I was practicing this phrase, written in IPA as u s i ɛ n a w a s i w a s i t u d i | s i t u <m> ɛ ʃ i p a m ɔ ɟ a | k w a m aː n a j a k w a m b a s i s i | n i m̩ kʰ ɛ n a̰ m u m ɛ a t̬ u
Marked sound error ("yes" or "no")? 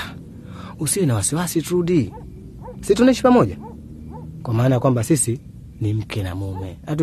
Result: yes